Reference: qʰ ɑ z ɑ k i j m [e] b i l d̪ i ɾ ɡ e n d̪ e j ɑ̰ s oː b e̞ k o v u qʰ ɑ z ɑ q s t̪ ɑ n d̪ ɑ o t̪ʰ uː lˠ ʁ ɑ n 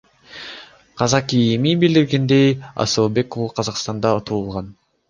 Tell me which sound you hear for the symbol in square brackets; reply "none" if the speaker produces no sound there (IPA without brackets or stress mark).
i